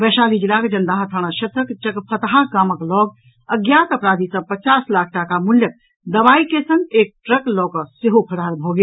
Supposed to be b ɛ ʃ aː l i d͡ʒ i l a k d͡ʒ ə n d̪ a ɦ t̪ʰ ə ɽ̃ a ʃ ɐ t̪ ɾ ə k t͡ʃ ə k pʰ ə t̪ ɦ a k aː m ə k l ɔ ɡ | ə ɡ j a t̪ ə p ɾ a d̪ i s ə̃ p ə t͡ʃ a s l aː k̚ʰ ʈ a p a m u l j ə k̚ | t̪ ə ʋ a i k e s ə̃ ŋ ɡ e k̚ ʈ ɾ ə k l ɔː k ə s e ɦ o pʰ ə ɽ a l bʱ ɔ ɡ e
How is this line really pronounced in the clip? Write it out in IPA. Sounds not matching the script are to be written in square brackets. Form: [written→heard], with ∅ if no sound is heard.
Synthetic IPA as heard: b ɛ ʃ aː l i d͡ʒ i l a k d͡ʒ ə n d̪ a ɦ t̪ʰ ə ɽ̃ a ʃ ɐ t̪ ɾ ə k t͡ʃ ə k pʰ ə t̪ ɦ a k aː m ə k l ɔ ɡ | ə ɡ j a t̪ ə p ɾ a d̪ i s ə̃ p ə t͡ʃ a s l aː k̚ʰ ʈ a [p→k] a m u l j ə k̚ | [t̪→d̪] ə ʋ a i k e s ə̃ ŋ ɡ e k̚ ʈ ɾ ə k l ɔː k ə s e ɦ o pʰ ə ɽ a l bʱ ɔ ɡ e

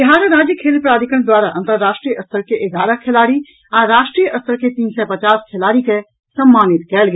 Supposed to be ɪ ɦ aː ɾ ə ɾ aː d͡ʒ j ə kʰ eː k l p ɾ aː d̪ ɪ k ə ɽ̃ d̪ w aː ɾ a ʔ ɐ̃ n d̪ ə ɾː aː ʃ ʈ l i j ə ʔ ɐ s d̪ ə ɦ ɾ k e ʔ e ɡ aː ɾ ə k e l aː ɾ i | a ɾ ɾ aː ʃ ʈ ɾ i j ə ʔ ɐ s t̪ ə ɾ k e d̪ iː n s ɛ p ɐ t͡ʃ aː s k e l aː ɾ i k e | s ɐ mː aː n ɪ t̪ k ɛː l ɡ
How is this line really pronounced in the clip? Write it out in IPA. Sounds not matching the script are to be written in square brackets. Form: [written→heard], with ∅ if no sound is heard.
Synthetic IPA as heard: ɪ ɦ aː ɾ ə ɾ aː d͡ʒ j ə kʰ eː [k→∅] l p ɾ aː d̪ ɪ k ə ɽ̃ d̪ w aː ɾ a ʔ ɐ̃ n [d̪→t̪] ə ɾː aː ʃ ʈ [l→ɾ] i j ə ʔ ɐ s [d̪→t̪] ə [ɦ→∅] ɾ k e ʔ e ɡ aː ɾ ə [k→kʰ] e l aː ɾ i | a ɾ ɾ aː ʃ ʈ ɾ i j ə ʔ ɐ s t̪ ə ɾ k e [d̪→t̪] iː n s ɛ p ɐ t͡ʃ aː s [k→kʰ] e l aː ɾ i k e | s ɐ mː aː n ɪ t̪ k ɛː l ɡ

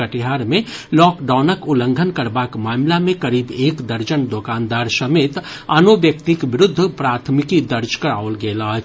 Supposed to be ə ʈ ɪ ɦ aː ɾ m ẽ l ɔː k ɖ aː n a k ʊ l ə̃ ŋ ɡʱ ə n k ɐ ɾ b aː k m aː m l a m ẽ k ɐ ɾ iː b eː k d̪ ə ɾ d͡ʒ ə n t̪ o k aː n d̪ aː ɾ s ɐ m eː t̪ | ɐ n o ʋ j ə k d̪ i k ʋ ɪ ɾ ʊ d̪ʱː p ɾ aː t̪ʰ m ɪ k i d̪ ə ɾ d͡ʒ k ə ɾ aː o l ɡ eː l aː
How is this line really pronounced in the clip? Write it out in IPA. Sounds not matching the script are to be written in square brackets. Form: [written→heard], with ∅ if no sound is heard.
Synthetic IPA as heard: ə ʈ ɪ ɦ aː ɾ m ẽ l ɔː k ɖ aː n [a→ə] k ʊ l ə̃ ŋ ɡʱ ə n k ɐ ɾ b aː k m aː m l a m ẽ k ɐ ɾ iː b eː k d̪ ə ɾ d͡ʒ ə n [t̪→d̪] o k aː n d̪ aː ɾ s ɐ m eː t̪ | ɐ n o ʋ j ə k [d̪→t̪] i k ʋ ɪ ɾ ʊ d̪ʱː p ɾ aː t̪ʰ m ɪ k i d̪ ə ɾ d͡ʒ k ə ɾ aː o l ɡ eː l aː

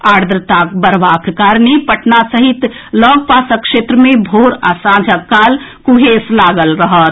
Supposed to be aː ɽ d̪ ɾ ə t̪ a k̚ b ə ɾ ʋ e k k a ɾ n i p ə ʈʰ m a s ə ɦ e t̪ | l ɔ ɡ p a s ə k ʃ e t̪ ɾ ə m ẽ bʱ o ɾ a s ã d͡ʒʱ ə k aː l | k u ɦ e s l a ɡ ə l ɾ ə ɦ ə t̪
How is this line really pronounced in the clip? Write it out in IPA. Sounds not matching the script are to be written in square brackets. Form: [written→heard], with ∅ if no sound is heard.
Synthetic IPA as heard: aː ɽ d̪ ɾ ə t̪ a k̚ b ə ɾ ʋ [e→a] k k a ɾ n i p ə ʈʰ [m→n] a s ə ɦ [e→i] t̪ | l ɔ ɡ p a s ə k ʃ e t̪ ɾ ə m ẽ bʱ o ɾ a s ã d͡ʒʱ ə k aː l | k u ɦ e s l a ɡ ə l ɾ ə ɦ ə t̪

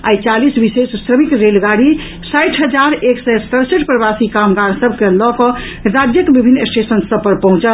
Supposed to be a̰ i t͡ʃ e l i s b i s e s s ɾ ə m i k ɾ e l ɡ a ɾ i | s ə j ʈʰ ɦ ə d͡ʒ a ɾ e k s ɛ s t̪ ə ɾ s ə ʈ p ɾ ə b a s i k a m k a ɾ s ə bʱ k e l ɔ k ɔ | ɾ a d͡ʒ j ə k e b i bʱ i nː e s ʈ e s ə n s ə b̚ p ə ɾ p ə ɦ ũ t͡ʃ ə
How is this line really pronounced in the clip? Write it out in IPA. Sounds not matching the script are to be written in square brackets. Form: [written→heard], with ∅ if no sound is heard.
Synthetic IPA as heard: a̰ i t͡ʃ [e→a] l i s b i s e s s ɾ ə m i k ɾ e l ɡ a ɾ i | s [ə→a] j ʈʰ ɦ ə d͡ʒ a ɾ e k s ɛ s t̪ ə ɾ s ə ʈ p ɾ ə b a s i k a m [k→ɡ] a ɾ s ə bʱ k e l ɔ k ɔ | ɾ a d͡ʒ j ə k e b i bʱ i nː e s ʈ e s ə n s ə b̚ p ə ɾ p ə ɦ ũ t͡ʃ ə

